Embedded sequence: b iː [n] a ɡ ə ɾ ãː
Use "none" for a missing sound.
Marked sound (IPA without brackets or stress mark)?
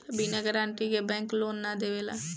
n